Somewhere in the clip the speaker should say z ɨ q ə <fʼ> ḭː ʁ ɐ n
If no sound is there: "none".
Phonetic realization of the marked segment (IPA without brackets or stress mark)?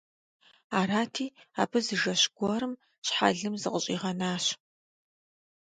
ɕʼ